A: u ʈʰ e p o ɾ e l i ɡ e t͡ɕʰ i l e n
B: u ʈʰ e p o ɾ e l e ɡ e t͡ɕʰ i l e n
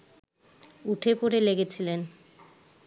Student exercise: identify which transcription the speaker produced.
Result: B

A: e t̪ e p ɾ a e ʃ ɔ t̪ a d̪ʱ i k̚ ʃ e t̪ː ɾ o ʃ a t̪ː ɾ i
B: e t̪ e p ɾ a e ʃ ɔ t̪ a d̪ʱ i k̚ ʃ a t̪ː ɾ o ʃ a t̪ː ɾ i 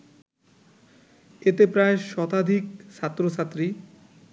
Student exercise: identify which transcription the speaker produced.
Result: B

